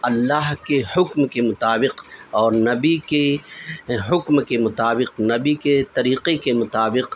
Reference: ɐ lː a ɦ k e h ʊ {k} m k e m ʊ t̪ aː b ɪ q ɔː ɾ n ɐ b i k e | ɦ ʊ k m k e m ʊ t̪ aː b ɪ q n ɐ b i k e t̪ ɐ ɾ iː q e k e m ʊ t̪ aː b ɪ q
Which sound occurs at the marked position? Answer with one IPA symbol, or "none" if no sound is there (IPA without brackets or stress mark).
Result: k